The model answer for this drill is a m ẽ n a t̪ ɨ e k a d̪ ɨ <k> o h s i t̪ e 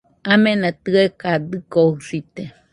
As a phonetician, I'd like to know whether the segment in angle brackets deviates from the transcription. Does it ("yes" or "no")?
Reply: no